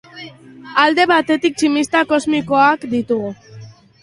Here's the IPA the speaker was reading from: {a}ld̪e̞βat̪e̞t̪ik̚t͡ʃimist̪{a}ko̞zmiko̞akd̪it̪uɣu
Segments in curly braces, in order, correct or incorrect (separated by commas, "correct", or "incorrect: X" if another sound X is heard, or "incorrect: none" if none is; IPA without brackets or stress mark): correct, correct